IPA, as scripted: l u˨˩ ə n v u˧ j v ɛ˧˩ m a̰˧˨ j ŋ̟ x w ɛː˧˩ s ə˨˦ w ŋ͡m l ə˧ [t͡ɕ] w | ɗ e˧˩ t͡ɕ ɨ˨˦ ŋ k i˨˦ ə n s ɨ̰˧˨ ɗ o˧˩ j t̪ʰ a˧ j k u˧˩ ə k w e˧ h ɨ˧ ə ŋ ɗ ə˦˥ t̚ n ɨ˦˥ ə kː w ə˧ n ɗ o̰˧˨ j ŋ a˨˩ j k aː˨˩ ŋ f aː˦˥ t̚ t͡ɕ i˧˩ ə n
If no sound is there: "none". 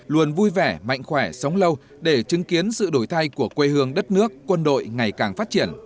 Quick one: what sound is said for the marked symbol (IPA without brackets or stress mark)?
none